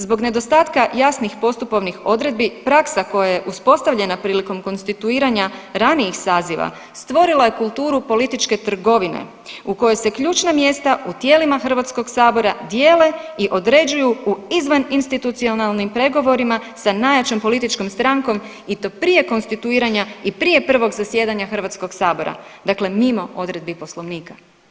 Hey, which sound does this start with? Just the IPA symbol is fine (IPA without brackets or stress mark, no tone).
z